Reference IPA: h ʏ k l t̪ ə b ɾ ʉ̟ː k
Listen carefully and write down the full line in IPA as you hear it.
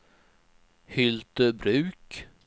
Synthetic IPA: h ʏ l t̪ ə b ɾ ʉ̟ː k